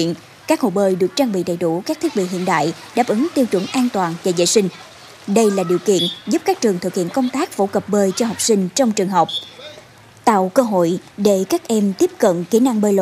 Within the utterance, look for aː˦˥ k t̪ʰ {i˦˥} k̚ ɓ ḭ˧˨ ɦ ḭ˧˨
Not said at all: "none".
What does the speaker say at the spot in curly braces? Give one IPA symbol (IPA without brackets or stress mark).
i˦˥